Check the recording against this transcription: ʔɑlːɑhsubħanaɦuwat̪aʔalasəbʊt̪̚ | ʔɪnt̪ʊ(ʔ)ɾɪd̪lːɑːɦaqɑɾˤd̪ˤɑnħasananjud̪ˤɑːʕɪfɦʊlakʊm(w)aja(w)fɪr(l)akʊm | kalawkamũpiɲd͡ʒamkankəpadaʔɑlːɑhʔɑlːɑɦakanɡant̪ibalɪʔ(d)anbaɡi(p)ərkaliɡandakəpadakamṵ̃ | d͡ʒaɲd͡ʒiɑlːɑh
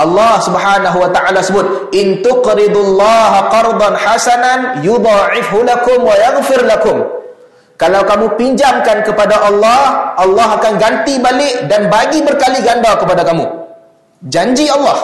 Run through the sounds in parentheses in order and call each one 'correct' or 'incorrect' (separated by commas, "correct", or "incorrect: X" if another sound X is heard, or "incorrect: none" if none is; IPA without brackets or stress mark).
incorrect: q, correct, incorrect: ɣ, correct, correct, incorrect: b